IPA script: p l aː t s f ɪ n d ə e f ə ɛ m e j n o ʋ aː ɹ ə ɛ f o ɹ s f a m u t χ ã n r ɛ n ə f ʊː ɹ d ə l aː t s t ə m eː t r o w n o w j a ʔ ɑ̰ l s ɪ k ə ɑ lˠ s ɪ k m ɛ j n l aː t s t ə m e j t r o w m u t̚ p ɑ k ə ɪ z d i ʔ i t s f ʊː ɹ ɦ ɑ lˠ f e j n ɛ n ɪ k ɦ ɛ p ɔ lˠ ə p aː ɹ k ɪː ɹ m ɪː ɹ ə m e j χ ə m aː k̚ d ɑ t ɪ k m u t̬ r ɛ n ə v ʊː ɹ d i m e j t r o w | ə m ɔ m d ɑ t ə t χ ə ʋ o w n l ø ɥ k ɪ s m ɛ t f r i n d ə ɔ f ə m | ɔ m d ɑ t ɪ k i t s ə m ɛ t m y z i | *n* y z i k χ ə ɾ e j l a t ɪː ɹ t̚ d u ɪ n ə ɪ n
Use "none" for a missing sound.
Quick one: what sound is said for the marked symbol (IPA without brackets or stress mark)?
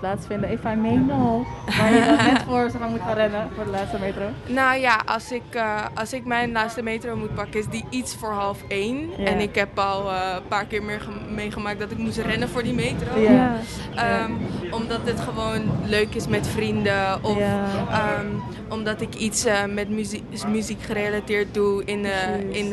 m